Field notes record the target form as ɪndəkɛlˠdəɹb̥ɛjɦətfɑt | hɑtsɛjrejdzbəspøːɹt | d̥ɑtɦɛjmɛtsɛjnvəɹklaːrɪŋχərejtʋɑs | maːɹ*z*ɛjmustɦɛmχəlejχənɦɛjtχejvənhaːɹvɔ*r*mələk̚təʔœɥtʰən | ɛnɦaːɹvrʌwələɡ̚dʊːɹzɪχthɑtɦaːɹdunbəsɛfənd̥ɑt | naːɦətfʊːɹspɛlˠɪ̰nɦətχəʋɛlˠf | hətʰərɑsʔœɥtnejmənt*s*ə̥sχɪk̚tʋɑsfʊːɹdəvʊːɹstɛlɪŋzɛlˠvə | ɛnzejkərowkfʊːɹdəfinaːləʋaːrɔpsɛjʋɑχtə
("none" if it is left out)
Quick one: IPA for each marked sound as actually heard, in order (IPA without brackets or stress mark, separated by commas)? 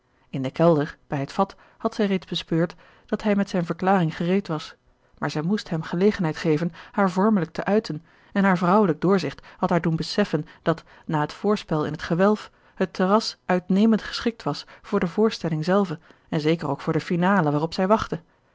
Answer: z, ɹ, χ